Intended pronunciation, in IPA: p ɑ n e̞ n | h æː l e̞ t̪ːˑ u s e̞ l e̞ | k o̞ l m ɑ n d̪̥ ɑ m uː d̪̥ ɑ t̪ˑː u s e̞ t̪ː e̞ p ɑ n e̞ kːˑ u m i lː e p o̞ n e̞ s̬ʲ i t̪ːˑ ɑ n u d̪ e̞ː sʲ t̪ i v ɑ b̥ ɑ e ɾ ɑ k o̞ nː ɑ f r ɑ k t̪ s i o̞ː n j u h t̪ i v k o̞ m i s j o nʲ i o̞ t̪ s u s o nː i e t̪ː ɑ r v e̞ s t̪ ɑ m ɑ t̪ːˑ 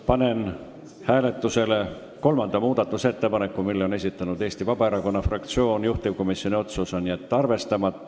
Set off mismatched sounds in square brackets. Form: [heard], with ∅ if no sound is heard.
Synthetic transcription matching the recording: p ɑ n e̞ n | h æː l e̞ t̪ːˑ u s e̞ l e̞ | k o̞ l m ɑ n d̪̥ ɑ m uː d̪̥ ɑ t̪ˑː u s e̞ t̪ː e̞ p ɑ n e̞ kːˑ u m i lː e [∅] o̞ n e̞ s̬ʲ i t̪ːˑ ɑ n u d̪ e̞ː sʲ t̪ i v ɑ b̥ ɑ e ɾ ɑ k o̞ nː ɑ f r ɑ k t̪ s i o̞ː n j u h t̪ i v k o̞ m i s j o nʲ i o̞ t̪ s u s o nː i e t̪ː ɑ r v e̞ s t̪ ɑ m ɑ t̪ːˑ